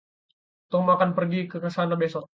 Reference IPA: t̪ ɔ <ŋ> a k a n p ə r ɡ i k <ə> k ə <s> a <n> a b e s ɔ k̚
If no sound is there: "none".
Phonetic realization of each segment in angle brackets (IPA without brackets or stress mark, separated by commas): m, ə, s, n